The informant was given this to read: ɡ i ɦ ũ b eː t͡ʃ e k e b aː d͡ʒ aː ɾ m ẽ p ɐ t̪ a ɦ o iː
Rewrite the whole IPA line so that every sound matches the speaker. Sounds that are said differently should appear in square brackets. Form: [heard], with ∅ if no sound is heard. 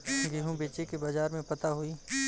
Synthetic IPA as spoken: ɡ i ɦ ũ b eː t͡ʃ e k e b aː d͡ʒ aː ɾ m ẽ p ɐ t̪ a ɦ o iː

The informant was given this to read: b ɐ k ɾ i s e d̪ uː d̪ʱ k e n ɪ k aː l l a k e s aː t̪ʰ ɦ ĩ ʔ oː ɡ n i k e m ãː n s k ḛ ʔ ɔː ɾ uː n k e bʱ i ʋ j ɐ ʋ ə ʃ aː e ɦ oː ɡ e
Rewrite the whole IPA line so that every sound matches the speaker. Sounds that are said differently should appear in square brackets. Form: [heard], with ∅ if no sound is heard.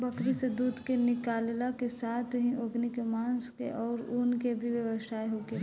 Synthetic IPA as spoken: b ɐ k ɾ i s e d̪ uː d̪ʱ k e n ɪ k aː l l a k e s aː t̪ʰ ɦ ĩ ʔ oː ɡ n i k e m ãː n s k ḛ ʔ ɔː ɾ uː n k e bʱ i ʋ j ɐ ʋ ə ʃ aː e ɦ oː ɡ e

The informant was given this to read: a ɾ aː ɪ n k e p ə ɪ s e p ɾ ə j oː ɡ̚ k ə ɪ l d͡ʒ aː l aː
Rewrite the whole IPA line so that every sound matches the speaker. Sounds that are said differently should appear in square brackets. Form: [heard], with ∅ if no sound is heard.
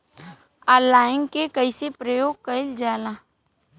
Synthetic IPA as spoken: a [l] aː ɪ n k e [k] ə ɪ s e p ɾ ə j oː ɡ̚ k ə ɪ l d͡ʒ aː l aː

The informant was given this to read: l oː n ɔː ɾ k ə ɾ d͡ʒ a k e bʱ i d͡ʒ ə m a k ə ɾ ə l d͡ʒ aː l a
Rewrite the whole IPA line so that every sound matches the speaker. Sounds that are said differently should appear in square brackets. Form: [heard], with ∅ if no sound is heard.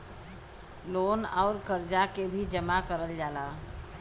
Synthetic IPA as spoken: l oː n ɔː ɾ k ə ɾ d͡ʒ a k e bʱ i d͡ʒ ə m a k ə ɾ ə l d͡ʒ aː l a

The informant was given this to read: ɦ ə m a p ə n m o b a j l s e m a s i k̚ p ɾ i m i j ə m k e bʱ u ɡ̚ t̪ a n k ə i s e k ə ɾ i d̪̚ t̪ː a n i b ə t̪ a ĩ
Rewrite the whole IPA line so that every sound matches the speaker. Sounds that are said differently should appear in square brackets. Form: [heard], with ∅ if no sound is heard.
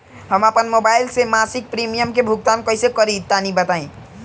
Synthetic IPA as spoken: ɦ ə m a p ə n m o b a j l s e m a s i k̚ p ɾ i m i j ə m k e bʱ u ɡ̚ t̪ a n k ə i s e k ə ɾ i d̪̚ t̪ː a n i b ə t̪ a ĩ

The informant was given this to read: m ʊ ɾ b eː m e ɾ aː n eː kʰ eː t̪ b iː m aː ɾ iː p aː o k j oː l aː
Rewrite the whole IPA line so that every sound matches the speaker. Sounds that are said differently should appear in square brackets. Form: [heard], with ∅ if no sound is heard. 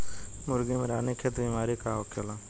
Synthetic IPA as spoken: m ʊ ɾ [ɡ] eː m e ɾ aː n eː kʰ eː t̪ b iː m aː ɾ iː [k] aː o k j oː l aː

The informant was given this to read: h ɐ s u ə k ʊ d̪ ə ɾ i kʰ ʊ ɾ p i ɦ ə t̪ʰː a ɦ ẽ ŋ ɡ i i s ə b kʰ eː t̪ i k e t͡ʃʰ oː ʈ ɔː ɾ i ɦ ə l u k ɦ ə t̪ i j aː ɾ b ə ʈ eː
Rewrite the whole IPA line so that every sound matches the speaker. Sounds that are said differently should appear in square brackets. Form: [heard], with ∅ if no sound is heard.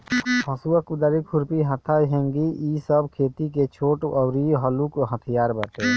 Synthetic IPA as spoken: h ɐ s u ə k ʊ d̪ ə ɾ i kʰ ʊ ɾ p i ɦ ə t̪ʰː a ɦ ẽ ŋ ɡ i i s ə b kʰ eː t̪ i k e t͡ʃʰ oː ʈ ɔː ɾ i ɦ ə l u k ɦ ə [t̪ʰ] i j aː ɾ b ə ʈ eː

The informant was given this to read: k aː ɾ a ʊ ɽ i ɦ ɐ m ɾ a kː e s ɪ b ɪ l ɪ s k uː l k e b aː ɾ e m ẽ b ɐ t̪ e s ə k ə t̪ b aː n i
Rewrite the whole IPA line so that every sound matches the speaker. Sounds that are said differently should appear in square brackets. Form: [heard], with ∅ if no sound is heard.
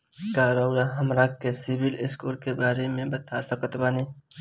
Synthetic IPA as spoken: k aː ɾ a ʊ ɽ [a] ɦ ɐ m ɾ a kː e s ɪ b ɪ l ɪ s k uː l k e b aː ɾ e m ẽ b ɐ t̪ [a] s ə k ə t̪ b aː n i

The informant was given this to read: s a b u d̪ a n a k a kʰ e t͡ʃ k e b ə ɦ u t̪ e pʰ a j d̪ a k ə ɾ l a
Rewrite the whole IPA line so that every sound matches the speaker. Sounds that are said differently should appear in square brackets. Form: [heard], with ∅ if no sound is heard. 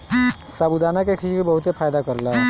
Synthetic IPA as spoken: s a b u d̪ a n a k [e] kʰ [i] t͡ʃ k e b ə ɦ u t̪ e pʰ a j d̪ a k ə ɾ l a

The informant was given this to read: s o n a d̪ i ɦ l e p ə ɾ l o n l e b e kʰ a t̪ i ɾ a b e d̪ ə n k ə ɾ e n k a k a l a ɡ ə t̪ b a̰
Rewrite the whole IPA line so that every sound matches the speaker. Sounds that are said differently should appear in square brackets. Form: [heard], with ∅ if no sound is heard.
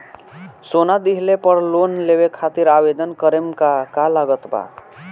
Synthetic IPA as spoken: s o n a d̪ i ɦ l e p ə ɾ l o n l e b e kʰ a t̪ i ɾ a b e d̪ ə n k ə ɾ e [m] k a k a l a ɡ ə t̪ b a̰

